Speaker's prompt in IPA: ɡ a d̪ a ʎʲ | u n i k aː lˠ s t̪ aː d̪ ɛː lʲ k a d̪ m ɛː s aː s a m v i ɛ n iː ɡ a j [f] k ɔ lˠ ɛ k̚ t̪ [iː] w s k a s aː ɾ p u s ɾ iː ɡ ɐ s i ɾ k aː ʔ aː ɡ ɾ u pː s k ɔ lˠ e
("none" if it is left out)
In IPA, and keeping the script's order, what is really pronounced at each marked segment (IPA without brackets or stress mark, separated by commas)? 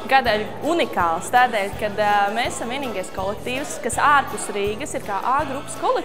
s, iː